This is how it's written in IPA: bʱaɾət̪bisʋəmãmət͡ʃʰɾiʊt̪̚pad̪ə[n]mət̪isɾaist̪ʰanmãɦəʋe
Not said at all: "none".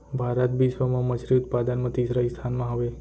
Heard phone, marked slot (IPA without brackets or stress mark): n